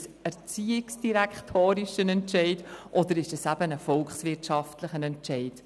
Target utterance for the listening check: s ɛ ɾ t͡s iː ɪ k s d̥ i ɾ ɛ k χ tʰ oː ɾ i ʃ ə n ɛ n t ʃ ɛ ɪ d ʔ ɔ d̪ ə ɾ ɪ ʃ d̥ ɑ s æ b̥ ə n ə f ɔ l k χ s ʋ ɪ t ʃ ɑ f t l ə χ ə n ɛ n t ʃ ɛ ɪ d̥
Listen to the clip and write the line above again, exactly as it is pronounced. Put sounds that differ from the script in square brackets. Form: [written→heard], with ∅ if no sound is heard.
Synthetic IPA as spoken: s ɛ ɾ t͡s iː ɪ k s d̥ i ɾ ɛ k χ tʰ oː ɾ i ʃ ə n ɛ n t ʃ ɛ ɪ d ʔ ɔ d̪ ə ɾ ɪ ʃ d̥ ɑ s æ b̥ ə n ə f ɔ l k χ s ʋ ɪ t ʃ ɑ f t l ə χ ə n ɛ n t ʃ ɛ ɪ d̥